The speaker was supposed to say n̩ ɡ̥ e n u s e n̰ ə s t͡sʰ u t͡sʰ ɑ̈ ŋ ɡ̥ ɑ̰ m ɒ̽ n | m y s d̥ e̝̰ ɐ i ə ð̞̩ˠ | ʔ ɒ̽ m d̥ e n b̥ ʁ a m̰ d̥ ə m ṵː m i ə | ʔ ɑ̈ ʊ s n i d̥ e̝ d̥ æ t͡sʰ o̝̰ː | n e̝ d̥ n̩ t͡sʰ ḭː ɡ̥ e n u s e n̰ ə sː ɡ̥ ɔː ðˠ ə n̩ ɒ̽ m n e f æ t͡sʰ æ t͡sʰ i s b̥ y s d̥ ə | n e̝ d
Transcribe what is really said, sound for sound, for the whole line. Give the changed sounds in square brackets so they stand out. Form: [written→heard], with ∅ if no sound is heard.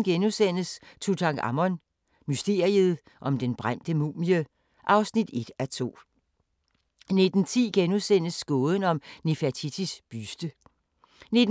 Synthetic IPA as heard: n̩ ɡ̥ e n u s e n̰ ə s t͡sʰ u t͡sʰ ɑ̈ ŋ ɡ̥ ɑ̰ m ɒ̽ n | m y s d̥ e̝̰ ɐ i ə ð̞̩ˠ | ʔ ɒ̽ m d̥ e n b̥ ʁ a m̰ d̥ ə m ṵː m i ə | ʔ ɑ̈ ʊ s n i d̥ e̝ d̥ æ t͡sʰ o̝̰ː | n e̝ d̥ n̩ t͡sʰ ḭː ɡ̥ e n u s e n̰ ə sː ɡ̥ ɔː ðˠ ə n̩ ɒ̽ m n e f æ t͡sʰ [æ→i] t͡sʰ i s b̥ y s d̥ ə | n e̝ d